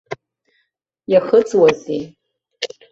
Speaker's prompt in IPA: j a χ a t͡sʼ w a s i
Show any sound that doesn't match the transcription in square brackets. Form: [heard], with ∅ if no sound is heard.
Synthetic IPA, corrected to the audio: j a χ [ə] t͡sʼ w a [z] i